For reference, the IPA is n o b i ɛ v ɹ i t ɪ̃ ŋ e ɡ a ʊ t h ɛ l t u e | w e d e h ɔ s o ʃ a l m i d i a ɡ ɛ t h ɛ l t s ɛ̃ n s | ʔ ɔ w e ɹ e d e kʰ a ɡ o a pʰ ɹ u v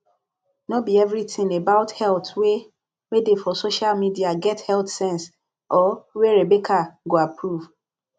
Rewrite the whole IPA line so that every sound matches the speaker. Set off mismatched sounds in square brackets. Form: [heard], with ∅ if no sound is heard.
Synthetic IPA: n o b i ɛ v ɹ i t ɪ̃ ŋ e [b] a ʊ t h ɛ l t [w] e | w e d e [f] ɔ s o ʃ a l m i d i a ɡ ɛ t h ɛ l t s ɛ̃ n s | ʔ ɔ w e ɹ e [b] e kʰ a ɡ o a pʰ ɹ u v